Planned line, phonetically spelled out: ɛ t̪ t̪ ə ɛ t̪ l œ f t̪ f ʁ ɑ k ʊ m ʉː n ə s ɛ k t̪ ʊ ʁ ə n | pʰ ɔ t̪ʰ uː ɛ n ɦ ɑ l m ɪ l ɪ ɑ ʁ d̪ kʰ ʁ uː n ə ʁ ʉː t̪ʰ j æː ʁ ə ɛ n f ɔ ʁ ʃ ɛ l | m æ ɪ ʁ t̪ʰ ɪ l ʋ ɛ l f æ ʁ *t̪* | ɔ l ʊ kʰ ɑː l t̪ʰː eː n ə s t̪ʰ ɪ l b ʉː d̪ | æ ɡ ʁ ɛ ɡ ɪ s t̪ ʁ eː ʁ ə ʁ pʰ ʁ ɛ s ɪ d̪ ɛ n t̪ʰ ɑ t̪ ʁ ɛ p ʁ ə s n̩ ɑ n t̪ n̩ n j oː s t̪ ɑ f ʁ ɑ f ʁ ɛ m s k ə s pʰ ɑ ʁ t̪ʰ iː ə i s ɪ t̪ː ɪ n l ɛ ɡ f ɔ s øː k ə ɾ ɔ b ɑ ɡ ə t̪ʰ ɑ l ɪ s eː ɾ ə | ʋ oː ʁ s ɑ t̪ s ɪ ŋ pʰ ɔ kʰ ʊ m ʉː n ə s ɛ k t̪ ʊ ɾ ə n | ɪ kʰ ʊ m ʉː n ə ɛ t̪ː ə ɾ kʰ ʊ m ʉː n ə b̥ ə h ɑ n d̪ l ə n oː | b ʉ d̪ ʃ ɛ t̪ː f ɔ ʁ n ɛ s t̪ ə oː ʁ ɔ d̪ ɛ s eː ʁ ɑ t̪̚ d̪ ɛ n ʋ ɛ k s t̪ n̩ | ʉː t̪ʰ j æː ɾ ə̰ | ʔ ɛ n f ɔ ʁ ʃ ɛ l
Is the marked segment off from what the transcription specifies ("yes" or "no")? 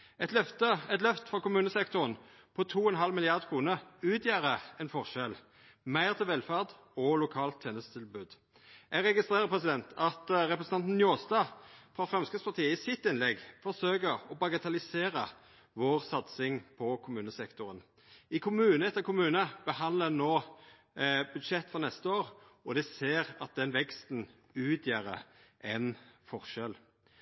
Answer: yes